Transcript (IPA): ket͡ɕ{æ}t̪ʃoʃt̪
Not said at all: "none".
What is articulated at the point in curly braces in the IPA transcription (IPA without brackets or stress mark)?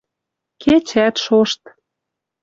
æ